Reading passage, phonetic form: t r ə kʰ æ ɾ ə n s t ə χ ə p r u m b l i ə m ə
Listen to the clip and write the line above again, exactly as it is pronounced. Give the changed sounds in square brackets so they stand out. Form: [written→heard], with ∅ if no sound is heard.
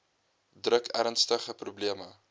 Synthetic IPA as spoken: [t→d] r ə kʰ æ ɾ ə n s t ə χ ə p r u [m→∅] b l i ə m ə